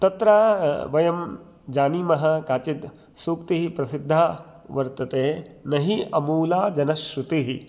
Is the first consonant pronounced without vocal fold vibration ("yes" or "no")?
yes